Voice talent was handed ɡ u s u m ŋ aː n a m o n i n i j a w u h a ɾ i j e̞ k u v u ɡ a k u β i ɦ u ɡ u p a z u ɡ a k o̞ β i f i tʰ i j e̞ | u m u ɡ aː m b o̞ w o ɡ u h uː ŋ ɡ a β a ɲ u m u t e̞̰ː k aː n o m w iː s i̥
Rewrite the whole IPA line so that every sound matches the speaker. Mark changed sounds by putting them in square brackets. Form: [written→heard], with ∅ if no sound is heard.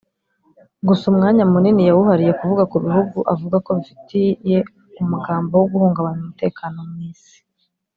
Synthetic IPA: ɡ u s u m ŋ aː [n→ɲ] a m [o→u] n i n i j a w u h a ɾ i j e̞ k u v u ɡ a k u β i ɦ u ɡ u [p→ʔ] a [z→v] u ɡ a k o̞ β i f i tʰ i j e̞ | u m u ɡ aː m b o̞ w o ɡ u h uː ŋ ɡ a β a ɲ u m u t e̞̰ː k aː n o m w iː s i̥